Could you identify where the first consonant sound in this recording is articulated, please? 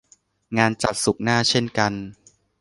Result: velar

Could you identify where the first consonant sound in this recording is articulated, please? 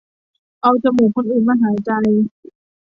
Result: glottal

